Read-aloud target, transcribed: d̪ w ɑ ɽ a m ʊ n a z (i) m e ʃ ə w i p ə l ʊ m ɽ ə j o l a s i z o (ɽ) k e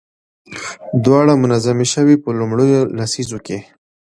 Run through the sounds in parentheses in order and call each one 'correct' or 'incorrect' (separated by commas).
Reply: incorrect, incorrect